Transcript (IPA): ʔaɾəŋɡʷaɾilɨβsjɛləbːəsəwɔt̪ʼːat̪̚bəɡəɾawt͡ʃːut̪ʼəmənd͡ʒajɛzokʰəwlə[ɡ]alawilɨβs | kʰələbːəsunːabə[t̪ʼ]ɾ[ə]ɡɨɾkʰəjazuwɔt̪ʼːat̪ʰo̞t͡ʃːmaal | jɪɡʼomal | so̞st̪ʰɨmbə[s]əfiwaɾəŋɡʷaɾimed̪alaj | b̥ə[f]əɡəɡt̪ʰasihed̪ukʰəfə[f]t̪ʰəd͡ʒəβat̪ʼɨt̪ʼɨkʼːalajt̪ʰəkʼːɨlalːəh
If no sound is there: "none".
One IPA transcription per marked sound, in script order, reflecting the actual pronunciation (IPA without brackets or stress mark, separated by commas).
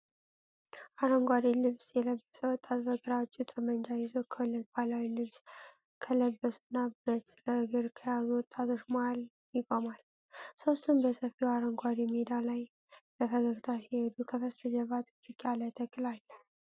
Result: b, t̪, ə, s, f, s